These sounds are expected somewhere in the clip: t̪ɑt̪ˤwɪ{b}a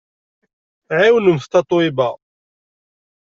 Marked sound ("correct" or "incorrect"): correct